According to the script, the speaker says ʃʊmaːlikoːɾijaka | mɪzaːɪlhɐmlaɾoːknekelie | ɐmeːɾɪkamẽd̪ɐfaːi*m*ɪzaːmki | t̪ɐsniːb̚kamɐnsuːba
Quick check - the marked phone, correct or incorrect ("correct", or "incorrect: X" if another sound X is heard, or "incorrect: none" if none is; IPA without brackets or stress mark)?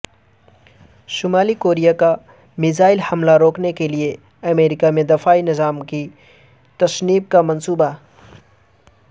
incorrect: n